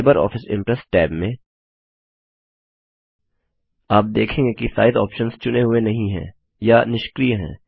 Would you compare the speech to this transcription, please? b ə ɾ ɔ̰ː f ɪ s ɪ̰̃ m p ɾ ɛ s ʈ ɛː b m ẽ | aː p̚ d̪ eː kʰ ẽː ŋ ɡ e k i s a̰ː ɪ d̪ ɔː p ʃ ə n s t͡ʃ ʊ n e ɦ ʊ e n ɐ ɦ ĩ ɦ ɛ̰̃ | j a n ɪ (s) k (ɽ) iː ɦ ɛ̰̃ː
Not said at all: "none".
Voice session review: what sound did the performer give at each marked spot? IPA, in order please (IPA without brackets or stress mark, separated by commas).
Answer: ʃ, ɾ